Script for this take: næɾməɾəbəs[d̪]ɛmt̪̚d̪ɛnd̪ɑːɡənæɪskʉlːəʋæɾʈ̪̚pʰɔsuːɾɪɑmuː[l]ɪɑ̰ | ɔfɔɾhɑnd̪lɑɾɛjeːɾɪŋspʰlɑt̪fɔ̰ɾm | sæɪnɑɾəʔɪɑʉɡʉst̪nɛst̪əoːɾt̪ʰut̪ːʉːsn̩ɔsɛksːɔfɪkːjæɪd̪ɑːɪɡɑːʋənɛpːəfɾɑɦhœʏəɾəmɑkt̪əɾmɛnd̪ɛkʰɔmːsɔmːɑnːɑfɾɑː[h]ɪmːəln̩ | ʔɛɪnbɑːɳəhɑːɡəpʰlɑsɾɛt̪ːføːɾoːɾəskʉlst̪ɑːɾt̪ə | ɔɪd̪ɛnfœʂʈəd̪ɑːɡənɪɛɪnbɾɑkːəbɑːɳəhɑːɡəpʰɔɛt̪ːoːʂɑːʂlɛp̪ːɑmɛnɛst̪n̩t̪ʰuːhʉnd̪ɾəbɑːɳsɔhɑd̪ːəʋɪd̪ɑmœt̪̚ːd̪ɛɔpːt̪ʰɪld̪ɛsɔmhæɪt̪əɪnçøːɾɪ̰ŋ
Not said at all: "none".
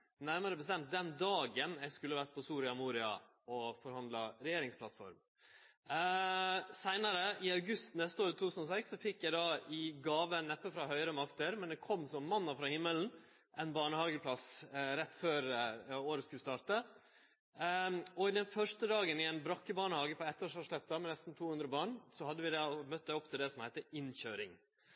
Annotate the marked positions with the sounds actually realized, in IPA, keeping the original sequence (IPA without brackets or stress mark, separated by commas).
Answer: t̪, ɾ, h